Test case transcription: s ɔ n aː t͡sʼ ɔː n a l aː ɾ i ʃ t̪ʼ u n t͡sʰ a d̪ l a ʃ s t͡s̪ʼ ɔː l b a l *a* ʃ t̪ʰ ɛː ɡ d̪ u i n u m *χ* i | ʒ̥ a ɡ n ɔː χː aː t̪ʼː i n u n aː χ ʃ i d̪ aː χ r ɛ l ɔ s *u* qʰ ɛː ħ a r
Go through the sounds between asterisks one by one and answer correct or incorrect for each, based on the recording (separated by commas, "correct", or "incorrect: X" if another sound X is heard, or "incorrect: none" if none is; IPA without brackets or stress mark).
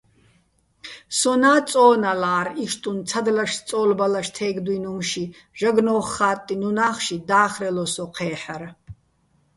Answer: correct, incorrect: ʃ, incorrect: ɔ